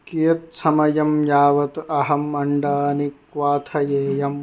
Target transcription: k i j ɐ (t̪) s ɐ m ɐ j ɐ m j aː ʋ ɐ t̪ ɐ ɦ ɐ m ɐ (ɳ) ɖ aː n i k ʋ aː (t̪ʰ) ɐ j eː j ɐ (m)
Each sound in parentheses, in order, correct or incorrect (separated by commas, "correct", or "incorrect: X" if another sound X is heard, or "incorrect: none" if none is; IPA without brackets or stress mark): correct, correct, correct, correct